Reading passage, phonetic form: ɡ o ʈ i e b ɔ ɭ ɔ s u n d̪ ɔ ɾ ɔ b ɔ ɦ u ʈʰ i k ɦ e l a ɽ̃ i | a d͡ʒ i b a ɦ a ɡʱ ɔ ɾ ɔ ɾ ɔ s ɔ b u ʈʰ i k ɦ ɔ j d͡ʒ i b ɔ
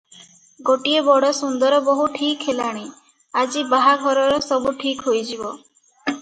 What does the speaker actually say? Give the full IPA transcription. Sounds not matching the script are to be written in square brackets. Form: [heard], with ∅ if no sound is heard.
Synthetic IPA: ɡ o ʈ i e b ɔ [ɽ] ɔ s u n d̪ ɔ ɾ ɔ b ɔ ɦ u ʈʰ i k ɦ e l a ɽ̃ i | a d͡ʒ i b a ɦ a ɡʱ ɔ ɾ ɔ ɾ ɔ s ɔ b u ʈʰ i k ɦ [o] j d͡ʒ i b ɔ